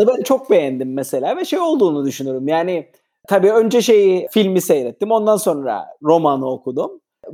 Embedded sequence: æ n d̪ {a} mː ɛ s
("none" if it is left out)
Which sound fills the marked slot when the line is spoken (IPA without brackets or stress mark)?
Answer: i